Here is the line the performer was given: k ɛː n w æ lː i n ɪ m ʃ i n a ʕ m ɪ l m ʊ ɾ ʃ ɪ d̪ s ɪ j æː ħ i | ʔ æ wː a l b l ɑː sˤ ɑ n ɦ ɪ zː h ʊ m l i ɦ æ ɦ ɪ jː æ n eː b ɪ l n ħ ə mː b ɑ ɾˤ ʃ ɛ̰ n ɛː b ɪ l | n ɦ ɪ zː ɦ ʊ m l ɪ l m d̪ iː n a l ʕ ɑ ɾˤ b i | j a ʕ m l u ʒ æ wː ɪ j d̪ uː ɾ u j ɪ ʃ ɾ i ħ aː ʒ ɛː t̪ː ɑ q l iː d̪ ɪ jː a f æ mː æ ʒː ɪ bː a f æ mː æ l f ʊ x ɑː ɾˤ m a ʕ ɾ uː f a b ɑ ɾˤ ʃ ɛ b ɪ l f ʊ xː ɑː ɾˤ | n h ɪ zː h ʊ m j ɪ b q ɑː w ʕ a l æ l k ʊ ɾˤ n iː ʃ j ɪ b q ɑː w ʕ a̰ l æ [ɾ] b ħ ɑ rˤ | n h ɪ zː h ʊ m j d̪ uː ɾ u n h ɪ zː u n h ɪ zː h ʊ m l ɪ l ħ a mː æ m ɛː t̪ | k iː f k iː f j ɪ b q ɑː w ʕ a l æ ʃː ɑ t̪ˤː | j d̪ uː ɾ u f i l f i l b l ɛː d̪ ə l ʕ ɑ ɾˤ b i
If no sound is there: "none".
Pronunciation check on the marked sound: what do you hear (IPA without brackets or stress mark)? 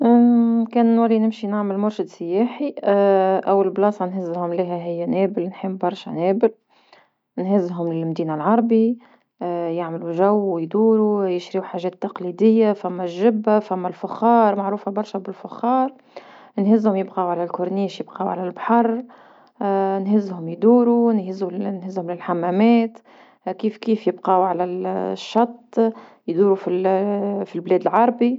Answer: l